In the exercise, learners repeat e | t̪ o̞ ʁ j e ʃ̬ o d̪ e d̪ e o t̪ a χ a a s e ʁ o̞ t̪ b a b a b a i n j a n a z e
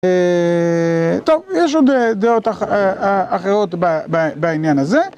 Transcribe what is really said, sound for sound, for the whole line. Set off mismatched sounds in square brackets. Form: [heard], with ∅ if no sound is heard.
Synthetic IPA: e | t̪ o̞ [v] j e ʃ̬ o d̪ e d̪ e o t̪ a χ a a [χ] e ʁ o̞ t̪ b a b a b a i n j a n a z e